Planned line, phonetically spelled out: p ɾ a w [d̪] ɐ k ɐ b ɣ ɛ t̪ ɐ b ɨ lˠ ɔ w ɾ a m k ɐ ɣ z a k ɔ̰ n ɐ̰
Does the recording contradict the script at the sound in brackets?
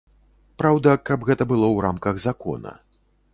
no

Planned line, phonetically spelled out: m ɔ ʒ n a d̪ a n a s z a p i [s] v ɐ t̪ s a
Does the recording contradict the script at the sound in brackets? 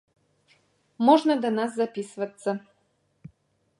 no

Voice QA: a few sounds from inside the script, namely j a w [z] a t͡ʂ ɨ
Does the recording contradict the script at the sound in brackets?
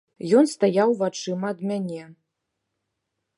yes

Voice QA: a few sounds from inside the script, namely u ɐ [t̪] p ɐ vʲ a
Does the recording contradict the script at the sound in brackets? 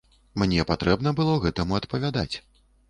no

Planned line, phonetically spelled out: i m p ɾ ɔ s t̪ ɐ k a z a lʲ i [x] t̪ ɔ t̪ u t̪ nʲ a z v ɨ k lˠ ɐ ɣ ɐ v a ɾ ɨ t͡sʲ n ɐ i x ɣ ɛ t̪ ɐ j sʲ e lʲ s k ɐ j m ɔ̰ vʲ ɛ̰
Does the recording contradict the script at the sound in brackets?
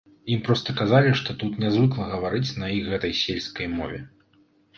yes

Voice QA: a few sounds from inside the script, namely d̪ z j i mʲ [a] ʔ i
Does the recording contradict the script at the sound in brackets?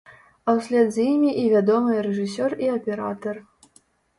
yes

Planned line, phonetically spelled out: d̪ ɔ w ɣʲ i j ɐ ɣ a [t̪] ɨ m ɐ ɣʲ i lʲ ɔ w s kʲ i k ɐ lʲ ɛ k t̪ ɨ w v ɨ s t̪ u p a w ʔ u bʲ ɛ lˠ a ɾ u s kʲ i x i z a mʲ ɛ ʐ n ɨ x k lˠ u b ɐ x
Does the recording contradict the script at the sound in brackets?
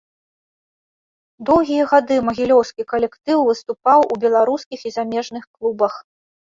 yes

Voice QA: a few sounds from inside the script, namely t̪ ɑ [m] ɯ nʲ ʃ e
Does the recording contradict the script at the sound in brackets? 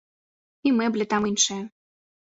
no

